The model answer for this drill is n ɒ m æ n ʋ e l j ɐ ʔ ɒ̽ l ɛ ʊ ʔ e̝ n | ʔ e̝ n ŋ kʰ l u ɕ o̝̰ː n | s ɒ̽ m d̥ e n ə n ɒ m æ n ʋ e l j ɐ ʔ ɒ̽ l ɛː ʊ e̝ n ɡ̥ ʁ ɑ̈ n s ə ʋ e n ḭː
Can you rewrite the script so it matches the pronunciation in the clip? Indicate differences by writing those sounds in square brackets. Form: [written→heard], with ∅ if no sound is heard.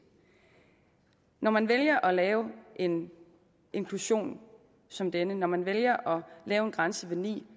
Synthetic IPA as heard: n ɒ m æ n ʋ e l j ɐ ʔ ɒ̽ l [ɛ→ɛː] ʊ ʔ e̝ n | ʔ e̝ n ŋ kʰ l u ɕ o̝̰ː n | s ɒ̽ m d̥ e n ə n ɒ m æ n ʋ e l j ɐ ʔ ɒ̽ l ɛː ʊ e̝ n ɡ̥ ʁ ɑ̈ n s ə ʋ e n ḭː

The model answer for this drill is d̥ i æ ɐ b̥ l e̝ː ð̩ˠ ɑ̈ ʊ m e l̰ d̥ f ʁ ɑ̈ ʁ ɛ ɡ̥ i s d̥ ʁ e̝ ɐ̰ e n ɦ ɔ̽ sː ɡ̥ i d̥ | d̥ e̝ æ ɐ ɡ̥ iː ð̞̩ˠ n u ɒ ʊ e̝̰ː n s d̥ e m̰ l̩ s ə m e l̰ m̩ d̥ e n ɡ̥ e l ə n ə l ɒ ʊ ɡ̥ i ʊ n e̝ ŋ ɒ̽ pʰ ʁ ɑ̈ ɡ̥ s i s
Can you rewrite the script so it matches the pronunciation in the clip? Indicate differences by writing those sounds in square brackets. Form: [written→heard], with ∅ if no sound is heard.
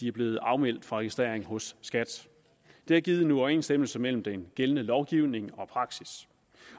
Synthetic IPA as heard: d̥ i æ ɐ b̥ l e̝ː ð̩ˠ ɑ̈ ʊ m e l̰ d̥ f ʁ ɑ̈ ʁ ɛ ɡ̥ i s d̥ ʁ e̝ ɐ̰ e [n→ŋ] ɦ ɔ̽ sː ɡ̥ [i→æ] d̥ | d̥ e̝ æ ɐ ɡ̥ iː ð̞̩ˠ n u ɒ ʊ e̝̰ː n s d̥ e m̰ l̩ s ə m e l̰ m̩ d̥ e n ɡ̥ e l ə n ə l ɒ ʊ ɡ̥ i ʊ n e̝ ŋ ɒ̽ pʰ ʁ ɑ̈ ɡ̥ s i s

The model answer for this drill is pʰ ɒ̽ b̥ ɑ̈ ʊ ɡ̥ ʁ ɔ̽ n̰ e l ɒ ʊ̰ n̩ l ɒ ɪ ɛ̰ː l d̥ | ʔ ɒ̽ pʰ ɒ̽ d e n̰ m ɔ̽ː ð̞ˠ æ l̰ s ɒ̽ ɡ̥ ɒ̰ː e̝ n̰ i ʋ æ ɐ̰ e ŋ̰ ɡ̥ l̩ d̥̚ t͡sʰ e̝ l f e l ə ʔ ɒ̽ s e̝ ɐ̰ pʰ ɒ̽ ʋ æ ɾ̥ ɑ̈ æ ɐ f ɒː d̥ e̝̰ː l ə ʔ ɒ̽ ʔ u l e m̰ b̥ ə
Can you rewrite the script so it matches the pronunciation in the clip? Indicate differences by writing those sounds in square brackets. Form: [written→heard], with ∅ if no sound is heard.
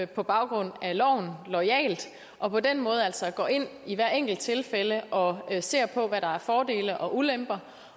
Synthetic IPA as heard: pʰ ɒ̽ b̥ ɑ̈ ʊ ɡ̥ ʁ ɔ̽ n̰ [e→æ] l ɒ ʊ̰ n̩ l ɒ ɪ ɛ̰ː l d̥ | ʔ ɒ̽ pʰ ɒ̽ d e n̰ m ɔ̽ː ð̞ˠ æ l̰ s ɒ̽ ɡ̥ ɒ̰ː e̝ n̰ i ʋ æ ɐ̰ e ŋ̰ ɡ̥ l̩ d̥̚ t͡sʰ e̝ l f e l ə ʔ ɒ̽ s e̝ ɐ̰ pʰ ɒ̽ ʋ æ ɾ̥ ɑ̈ æ ɐ f ɒː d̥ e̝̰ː l ə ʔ ɒ̽ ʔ u l e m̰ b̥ [ə→ɐ]

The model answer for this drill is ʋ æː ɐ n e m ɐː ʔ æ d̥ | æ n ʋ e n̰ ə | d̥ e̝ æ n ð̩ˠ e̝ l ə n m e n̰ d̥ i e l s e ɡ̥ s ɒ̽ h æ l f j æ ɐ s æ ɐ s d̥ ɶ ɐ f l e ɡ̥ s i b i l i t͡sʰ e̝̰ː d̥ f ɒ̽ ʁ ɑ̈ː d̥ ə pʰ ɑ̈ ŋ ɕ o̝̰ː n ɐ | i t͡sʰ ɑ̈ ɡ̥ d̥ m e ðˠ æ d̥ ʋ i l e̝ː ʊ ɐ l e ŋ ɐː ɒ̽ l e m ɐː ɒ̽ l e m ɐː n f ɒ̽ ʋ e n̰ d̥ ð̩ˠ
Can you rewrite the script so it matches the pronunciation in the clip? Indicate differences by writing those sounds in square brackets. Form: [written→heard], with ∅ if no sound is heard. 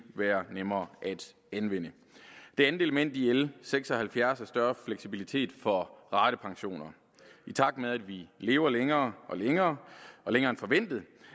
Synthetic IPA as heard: ʋ æː ɐ n e m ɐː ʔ æ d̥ | æ n ʋ e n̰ ə | d̥ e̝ æ n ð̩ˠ e̝ l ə [n→∅] m e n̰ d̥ i e l s e ɡ̥ s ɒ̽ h æ l f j æ ɐ s æ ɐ s d̥ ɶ ɐ f l e ɡ̥ s i b i l i t͡sʰ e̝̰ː d̥ f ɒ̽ ʁ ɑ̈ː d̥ ə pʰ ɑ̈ ŋ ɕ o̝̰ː n ɐ | i t͡sʰ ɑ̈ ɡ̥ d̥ m e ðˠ æ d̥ ʋ i l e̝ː ʊ ɐ l e ŋ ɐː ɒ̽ l e [m→ŋ] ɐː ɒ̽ l e [m→ŋ] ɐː n f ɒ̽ ʋ e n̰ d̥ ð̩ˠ

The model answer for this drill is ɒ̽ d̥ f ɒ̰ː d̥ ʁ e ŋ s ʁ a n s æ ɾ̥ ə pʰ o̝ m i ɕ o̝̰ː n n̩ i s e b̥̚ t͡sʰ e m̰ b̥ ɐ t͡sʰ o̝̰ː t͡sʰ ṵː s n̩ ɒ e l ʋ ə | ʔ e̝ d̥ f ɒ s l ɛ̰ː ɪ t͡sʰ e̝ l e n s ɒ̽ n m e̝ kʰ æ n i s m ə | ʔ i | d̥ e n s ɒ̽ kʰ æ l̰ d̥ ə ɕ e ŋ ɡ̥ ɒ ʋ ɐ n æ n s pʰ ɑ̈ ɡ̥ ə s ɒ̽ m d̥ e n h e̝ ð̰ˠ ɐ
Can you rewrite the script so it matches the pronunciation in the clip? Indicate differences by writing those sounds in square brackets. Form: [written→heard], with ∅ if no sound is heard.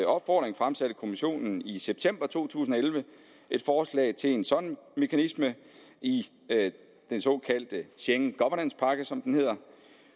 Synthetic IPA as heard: ɒ̽ [d̥→b̥] f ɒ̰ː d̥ ʁ e ŋ [s→f] ʁ a [n→m] s æ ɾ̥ ə [pʰ→kʰ] o̝ m i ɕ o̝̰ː n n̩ i s e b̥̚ t͡sʰ e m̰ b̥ ɐ t͡sʰ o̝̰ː t͡sʰ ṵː s n̩ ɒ e l ʋ ə | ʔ e̝ d̥ f [ɒ→ɒː] s l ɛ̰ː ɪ t͡sʰ e̝ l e n s ɒ̽ n m e̝ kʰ æ n i s m ə | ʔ i | d̥ e n s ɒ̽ kʰ æ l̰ d̥ ə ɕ e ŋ ɡ̥ ɒ ʋ ɐ n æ n s pʰ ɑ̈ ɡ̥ ə s ɒ̽ m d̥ e n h e̝ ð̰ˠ ɐ

